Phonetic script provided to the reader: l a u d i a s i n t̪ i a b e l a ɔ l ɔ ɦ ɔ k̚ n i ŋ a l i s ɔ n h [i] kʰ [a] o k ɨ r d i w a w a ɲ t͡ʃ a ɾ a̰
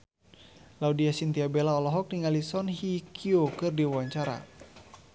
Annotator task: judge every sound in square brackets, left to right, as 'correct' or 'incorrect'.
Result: correct, incorrect: i

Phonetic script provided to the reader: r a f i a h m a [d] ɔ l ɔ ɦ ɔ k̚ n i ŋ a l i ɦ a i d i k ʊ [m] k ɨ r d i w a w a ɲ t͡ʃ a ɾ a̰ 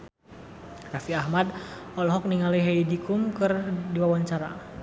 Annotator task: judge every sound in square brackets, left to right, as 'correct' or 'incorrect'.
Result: correct, correct

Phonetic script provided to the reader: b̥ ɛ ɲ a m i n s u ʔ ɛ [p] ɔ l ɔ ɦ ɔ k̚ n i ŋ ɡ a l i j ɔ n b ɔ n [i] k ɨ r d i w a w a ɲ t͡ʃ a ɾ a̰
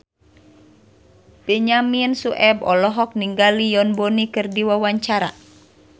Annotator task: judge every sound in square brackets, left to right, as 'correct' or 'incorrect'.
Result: incorrect: b, correct

